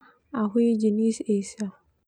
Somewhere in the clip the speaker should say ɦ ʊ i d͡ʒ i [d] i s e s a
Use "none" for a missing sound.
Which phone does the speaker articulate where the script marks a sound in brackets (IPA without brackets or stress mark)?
n